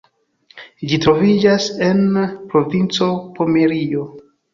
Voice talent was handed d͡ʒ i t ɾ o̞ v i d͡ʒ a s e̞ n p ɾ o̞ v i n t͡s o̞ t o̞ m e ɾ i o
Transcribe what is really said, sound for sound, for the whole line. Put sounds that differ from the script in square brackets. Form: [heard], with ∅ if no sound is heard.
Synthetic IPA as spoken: d͡ʒ i t ɾ o̞ v i d͡ʒ a s e̞ n p ɾ o̞ v i n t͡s o̞ [p] o̞ m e ɾ i o